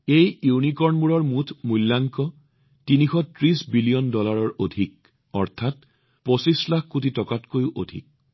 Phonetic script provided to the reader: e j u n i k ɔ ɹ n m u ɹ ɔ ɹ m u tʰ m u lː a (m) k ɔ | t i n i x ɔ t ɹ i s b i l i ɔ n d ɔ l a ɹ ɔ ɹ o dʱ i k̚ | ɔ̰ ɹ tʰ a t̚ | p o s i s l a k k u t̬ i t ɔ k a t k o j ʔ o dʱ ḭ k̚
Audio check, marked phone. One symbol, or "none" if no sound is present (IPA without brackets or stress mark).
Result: ŋ